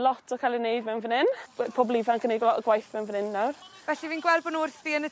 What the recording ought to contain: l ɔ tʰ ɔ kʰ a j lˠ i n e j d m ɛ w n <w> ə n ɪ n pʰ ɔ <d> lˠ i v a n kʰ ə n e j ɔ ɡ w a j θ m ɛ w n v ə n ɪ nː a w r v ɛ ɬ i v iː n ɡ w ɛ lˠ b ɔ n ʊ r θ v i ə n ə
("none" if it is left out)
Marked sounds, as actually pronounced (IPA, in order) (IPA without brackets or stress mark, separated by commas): v, b